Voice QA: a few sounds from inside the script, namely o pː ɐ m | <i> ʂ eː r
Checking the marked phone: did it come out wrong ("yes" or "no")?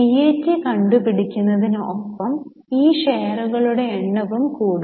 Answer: yes